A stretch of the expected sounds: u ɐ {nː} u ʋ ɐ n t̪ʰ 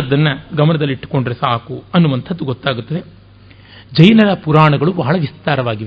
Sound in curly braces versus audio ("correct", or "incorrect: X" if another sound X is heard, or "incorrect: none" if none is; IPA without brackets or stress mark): correct